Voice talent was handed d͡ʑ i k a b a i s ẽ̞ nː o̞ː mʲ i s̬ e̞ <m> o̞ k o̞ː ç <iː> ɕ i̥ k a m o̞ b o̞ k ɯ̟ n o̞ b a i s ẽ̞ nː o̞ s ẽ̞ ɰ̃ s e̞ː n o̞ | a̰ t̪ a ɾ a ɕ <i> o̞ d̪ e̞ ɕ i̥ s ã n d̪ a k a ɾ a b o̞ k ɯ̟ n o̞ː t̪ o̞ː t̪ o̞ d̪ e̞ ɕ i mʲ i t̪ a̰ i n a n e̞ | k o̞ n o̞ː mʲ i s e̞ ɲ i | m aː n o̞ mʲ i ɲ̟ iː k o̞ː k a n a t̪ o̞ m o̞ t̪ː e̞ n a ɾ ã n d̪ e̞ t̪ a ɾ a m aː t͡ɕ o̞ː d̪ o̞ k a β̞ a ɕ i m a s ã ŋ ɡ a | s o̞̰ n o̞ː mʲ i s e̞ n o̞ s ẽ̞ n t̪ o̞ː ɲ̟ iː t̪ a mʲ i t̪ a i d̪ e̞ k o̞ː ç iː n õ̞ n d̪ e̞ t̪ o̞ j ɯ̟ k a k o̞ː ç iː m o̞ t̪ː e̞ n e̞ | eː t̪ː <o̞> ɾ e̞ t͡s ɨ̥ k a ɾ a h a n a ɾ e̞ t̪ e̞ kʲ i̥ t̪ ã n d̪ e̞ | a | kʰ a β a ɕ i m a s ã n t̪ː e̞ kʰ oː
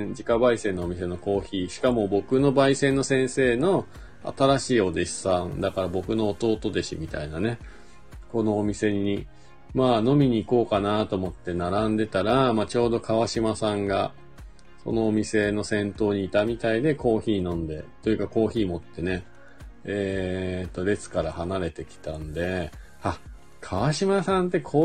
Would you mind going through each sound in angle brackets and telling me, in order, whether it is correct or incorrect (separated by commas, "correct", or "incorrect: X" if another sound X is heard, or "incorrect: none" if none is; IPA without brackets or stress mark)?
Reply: incorrect: n, correct, incorrect: iː, correct